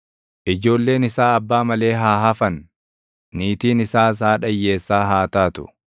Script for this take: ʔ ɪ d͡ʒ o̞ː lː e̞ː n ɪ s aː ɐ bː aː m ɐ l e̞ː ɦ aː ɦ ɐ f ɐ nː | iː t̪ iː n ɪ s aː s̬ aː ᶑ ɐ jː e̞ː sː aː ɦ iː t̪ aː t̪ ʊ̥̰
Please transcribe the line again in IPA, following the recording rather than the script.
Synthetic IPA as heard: ʔ ɪ d͡ʒ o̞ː lː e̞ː n ɪ s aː ɐ bː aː m ɐ l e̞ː ɦ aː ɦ ɐ f ɐ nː | iː t̪ iː n ɪ s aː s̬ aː ᶑ ɐ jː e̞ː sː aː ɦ aː t̪ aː t̪ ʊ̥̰